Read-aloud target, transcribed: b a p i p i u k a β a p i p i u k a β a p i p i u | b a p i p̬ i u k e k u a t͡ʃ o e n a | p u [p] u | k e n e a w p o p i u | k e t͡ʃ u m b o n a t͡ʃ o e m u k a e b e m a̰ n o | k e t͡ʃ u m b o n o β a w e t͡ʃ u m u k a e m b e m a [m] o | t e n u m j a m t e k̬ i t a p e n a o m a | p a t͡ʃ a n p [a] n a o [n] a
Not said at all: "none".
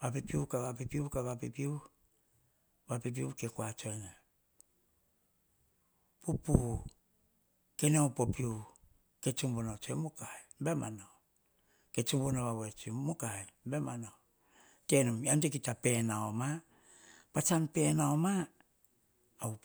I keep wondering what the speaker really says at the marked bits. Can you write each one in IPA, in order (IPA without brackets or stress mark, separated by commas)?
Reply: p, n, e, m